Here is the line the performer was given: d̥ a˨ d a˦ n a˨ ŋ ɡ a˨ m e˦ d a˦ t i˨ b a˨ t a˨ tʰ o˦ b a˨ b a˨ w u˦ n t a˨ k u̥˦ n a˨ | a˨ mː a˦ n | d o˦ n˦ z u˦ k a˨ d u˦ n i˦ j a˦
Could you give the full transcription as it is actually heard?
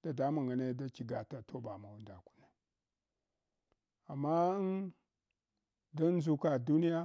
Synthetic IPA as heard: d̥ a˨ d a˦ m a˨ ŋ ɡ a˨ n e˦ d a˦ t͡ʃ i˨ ɡ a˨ t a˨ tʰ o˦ b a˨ m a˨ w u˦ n d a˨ k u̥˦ n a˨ | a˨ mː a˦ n | d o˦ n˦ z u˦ k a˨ d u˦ n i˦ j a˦